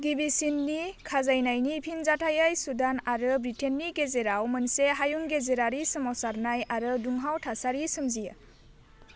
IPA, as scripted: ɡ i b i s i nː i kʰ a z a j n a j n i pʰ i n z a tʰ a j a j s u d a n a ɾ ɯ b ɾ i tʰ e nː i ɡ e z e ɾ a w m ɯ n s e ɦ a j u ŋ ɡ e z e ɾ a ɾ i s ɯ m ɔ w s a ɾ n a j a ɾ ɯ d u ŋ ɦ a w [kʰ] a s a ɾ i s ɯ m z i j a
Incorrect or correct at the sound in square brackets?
incorrect: tʰ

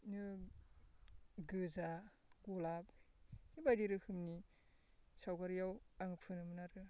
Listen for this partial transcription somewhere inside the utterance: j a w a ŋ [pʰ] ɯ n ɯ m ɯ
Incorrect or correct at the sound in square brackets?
correct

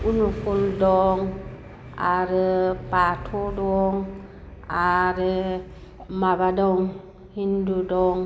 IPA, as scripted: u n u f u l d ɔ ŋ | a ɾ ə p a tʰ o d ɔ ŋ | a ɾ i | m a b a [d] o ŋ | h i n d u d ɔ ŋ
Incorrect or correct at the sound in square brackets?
correct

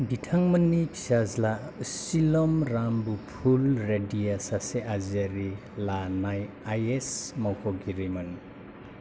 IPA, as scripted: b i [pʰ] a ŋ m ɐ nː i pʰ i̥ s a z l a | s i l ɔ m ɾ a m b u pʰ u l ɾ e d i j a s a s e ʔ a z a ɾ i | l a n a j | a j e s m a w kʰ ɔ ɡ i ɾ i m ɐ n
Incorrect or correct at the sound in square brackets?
incorrect: tʰ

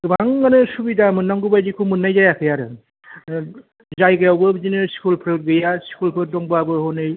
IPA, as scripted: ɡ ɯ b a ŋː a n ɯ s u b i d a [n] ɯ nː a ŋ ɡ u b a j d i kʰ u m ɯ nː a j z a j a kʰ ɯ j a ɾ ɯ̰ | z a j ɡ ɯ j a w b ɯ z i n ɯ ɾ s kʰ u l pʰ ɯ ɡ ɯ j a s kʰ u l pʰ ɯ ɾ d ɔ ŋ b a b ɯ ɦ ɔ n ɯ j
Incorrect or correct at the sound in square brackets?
incorrect: m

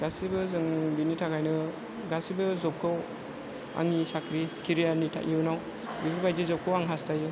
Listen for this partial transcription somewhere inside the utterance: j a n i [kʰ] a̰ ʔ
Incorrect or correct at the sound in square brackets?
incorrect: tʰ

